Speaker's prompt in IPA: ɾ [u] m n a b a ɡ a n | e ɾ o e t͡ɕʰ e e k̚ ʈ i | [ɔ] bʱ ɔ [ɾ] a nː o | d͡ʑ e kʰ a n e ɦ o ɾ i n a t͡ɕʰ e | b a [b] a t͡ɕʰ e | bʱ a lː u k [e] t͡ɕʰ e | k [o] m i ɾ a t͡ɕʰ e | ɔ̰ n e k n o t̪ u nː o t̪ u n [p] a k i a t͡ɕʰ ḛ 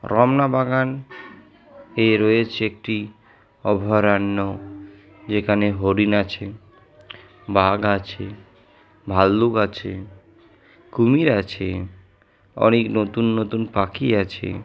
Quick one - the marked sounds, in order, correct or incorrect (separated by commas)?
incorrect, correct, correct, incorrect, incorrect, incorrect, correct